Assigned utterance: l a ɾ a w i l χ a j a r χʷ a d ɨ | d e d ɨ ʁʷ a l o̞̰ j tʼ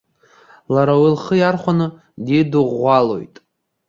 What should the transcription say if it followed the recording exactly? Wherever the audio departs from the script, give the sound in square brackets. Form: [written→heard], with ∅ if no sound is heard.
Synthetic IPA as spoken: l a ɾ a w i l χ [a→ə] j a r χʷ a [d→n] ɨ | d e d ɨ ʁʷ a l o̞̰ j tʼ